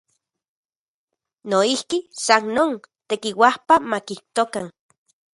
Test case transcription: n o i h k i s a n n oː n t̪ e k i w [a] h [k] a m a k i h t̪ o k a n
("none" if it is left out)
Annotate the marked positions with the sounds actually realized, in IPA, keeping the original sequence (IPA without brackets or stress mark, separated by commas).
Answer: a, p